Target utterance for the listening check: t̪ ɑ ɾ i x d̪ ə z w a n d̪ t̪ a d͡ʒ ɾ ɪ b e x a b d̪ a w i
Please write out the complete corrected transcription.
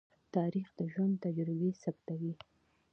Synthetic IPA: t̪ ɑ ɾ i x d̪ ə ʒ w a n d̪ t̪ a d͡ʒ ɾ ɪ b e s a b t̪ a w i

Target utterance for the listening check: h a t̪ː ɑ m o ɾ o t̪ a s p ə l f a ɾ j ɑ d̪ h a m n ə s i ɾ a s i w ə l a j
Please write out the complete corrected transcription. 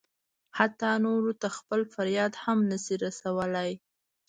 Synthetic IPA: h a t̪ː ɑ n o ɾ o t̪ a x p ə l f a ɾ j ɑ d̪ h a m n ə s i ɾ a s a w ə l a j

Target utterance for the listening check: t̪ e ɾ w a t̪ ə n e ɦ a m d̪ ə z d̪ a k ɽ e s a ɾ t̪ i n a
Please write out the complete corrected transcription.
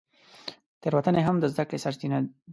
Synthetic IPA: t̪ e ɾ w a t̪ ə n e ɦ a m d̪ ə z d̪ a k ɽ e s a ɾ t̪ i n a

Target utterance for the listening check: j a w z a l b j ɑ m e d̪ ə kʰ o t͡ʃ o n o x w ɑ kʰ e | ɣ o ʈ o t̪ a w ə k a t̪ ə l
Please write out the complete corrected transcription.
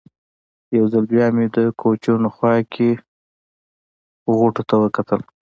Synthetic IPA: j a w z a l b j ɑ m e d̪ ə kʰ o t͡ʃ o n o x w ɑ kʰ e | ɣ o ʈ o t̪ a w ə k a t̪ ə l

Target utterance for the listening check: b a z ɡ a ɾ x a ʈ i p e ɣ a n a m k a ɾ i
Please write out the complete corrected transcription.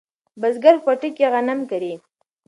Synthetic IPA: b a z ɡ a ɾ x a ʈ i k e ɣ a n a m k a ɾ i

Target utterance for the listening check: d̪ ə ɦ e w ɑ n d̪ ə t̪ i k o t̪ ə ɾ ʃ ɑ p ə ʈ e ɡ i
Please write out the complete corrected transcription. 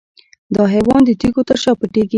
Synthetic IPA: d̪ ɑ ɦ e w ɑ n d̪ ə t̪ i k o t̪ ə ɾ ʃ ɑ p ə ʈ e ɡ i

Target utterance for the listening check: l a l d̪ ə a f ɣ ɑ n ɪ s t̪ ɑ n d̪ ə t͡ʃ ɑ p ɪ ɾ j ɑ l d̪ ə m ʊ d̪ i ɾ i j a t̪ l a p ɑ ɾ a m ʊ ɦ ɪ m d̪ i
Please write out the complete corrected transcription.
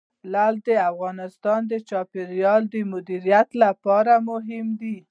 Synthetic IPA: l a l d̪ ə a f ɣ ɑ n ɪ s t̪ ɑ n d̪ ə t͡ʃ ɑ p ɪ ɾ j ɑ l d̪ ə m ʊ d̪ i ɾ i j a t̪ l a p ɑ ɾ a m ʊ ɦ ɪ m d̪ i

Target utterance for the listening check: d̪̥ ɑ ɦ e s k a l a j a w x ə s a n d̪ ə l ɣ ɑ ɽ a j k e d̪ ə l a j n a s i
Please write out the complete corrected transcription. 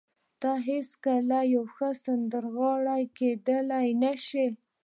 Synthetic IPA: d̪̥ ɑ ɦ e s k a l a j a w x ə s a n d̪ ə ɾ ɣ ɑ ɽ a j k e d̪ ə l a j n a ʃ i

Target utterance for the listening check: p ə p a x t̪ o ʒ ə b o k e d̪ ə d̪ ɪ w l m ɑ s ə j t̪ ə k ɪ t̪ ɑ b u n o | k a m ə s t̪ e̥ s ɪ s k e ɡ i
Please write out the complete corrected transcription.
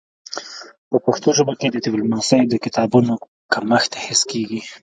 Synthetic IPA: p ə p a x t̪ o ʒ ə b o k e d̪ ə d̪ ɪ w l m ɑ s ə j d̪ ə k ɪ t̪ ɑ b u n o | k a m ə x t̪ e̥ h ɪ s k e ɡ i

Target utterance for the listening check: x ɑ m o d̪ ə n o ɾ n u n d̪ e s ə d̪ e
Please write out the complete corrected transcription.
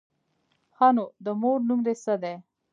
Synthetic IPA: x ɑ n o d̪ ə m o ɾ n u m d̪ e s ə d̪ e

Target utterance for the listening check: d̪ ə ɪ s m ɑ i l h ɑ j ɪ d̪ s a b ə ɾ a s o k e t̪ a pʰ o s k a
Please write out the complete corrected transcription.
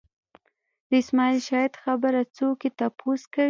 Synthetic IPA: d̪ ə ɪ s m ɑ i l ʃ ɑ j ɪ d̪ x a b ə ɾ a t͡s o k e t̪ a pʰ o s k a

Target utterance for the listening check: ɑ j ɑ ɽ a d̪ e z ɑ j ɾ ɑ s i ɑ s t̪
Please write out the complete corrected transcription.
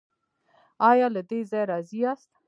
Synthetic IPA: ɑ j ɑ l a d̪ e z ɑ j ɾ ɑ z i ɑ s t̪

